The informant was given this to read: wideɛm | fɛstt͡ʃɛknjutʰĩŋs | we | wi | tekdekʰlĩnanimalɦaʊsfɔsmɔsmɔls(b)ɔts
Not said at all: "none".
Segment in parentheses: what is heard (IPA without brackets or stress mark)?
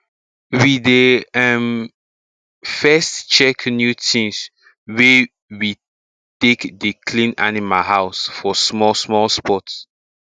p